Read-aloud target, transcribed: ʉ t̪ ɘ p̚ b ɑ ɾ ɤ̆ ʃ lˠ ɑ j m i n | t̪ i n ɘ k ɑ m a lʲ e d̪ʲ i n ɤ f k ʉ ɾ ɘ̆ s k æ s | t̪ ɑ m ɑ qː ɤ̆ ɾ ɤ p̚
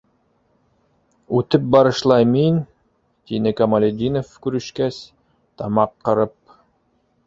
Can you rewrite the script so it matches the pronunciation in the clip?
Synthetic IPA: ʉ t̪ ɘ p̚ b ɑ ɾ ɤ̆ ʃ lˠ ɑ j m i n | t̪ i n ɘ k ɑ m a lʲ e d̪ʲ i n o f k ʉ ɾ ɘ̆ ʃ k æ s | t̪ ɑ m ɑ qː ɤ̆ ɾ ɤ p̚